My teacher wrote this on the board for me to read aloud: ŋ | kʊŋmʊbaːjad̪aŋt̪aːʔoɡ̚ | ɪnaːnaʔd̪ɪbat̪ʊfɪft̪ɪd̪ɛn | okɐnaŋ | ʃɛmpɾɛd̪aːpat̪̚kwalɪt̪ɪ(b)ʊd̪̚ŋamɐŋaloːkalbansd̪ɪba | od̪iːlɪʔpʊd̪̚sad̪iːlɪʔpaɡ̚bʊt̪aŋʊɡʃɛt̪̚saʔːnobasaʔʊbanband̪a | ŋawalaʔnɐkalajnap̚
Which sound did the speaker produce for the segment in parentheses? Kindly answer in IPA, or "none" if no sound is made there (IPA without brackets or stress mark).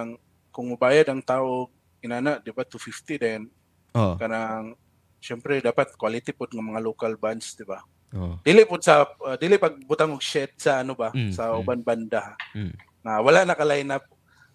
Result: p